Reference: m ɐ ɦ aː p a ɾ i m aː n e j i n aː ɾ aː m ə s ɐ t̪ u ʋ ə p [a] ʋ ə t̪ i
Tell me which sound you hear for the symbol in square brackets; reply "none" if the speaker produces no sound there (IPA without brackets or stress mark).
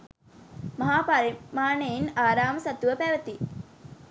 æ